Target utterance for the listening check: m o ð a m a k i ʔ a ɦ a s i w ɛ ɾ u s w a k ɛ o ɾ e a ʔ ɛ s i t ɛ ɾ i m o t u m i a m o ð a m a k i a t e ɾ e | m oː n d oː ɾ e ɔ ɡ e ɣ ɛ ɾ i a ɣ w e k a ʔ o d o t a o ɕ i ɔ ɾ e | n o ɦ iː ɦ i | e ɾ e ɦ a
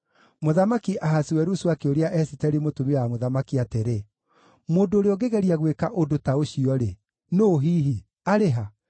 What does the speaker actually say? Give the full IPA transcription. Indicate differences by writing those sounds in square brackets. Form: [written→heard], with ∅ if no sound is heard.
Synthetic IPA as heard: m o ð a m a k i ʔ a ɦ a s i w ɛ ɾ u s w a k [ɛ→e] o ɾ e a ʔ ɛ s i t ɛ ɾ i m o t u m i a m o ð a m a k i a t e ɾ e | m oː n d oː ɾ e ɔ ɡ e ɣ ɛ ɾ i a ɣ w e k a ʔ o d o t a o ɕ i ɔ ɾ e | n o ɦ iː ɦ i | [e→a] ɾ e ɦ a

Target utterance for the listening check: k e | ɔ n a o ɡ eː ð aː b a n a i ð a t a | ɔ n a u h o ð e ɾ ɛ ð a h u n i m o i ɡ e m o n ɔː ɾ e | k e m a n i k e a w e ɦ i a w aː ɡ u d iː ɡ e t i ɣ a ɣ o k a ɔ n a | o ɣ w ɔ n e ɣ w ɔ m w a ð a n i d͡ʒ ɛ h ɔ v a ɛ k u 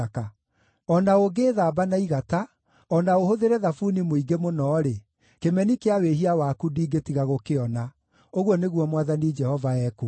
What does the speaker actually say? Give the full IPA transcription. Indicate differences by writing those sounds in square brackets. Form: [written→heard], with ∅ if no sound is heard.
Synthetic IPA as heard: k [e→a] | ɔ n a o ɡ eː ð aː b a n a i [ð→ɣ] a t a | ɔ n a [u→o] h o ð e ɾ ɛ ð a [h→f] u n i m o i ɡ e m o n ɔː ɾ e | k e m [a→ɛ] n i k e a w e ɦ i a w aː [ɡ→k] u d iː ɡ e t i ɣ a ɣ o k [a→e] ɔ n a | o ɣ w ɔ n e ɣ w ɔ m w a ð a n i d͡ʒ ɛ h ɔ v a ɛ k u

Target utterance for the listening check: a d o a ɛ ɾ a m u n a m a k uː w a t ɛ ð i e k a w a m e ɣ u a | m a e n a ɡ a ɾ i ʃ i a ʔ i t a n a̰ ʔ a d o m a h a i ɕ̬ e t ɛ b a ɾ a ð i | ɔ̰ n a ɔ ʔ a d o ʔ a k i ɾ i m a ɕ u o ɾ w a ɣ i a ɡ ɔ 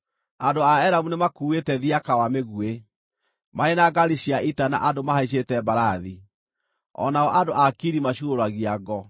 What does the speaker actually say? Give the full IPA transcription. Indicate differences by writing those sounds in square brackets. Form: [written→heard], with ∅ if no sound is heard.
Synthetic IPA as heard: a d o a ɛ ɾ a m u n [a→e] m a k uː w [a→e] t ɛ ð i [e→a] k a w a m e ɣ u [a→e] | m a e n a ɡ a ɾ i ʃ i a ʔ i t a n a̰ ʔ a d o m a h a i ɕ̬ e t ɛ b a ɾ a ð i | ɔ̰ n a ɔ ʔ a d o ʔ a k i ɾ i m a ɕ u o ɾ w a ɣ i a ɡ ɔ

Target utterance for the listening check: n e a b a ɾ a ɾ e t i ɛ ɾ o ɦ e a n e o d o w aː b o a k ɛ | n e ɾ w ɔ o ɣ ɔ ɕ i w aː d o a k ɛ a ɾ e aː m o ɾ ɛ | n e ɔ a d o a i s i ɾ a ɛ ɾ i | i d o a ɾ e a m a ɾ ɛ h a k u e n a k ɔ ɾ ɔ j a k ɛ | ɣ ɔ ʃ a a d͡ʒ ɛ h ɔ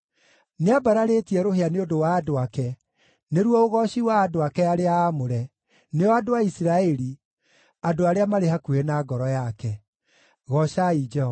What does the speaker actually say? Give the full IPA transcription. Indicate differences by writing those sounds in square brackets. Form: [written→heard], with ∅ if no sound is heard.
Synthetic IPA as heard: n e a b a ɾ a ɾ e t i ɛ ɾ o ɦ e a n e o d o w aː [b→d] o a k ɛ | n e ɾ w ɔ o ɣ ɔ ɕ i w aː d o a k ɛ a ɾ e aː m o ɾ ɛ | n e ɔ a d o a i s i ɾ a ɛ ɾ i | [i→a] d o a ɾ e a m a ɾ [ɛ→e] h a k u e n a [k→ɡ] ɔ ɾ ɔ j a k ɛ | ɣ ɔ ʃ a [a→i] d͡ʒ ɛ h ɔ

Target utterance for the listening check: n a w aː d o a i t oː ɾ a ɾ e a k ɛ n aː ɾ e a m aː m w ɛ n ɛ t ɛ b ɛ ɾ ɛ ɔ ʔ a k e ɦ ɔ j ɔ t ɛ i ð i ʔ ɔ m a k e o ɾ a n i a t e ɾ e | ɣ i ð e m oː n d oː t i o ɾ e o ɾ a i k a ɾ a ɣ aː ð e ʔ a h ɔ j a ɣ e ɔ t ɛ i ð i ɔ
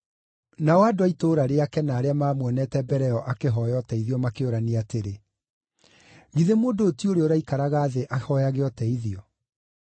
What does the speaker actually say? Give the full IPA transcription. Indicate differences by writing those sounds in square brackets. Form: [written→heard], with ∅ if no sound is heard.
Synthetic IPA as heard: n a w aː d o a i t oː ɾ a ɾ e a k ɛ n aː ɾ e a m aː m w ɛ n ɛ t ɛ b ɛ ɾ ɛ ɔ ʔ a k e ɦ ɔ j ɔ t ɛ i ð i [ʔ→∅] ɔ m a k e o ɾ a n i a t e ɾ e | ɣ i ð e m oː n d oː t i o ɾ e o ɾ a i k a ɾ a ɣ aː ð e ʔ a h ɔ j a ɣ e ɔ t ɛ i ð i ɔ

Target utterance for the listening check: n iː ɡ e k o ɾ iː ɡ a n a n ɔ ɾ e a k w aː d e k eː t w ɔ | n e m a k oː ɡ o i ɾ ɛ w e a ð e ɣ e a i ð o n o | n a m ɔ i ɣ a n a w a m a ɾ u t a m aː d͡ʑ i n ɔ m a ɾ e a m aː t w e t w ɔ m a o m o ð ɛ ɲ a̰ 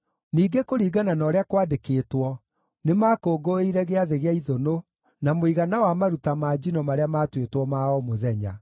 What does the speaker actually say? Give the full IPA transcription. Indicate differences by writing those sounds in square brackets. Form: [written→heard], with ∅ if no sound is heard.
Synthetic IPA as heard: n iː ɡ e k o ɾ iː ɡ a n a n ɔ ɾ e a k w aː d e k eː t w ɔ | n e m a k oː ɡ o i ɾ ɛ [w→ɣ] e a ð e ɣ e a i ð o n o | n a m [ɔ→o] i ɣ a n a w a m a ɾ u t a m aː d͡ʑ i n ɔ m a ɾ e a m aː t w e t w ɔ m a [o→ɔ] m o ð ɛ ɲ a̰

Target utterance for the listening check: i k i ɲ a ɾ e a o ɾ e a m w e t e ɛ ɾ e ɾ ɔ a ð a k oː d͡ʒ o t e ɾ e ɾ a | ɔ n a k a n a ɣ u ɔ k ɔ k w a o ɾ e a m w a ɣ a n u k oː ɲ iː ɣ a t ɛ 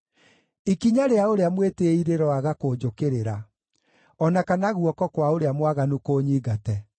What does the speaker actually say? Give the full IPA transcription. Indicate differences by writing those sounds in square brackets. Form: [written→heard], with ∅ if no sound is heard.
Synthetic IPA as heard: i k i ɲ a ɾ e a o ɾ e a m w e t e [ɛ→i] ɾ e ɾ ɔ a [ð→ɣ] a k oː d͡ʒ o [t→k] e ɾ e ɾ a | ɔ n a k a n a ɣ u ɔ k ɔ k w a o ɾ e a m w a ɣ a n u k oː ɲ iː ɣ a t ɛ

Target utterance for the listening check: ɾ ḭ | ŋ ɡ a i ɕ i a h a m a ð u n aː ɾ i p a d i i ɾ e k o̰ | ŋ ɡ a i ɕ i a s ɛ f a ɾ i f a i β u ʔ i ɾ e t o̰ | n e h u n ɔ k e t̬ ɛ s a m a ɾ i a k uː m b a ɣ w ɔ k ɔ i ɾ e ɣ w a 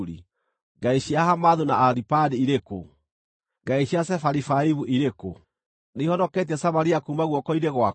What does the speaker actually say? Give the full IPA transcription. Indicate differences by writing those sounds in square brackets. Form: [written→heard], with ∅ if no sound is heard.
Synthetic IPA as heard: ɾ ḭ | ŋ ɡ a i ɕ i a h a m a ð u n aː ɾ i p a d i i ɾ e k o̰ | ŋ ɡ a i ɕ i a s ɛ f a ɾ i f a i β u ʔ i ɾ e [t→k] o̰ | n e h [u→ɔ] n ɔ k e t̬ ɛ s a m a ɾ i a k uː m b a ɣ w ɔ k ɔ i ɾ e ɣ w a

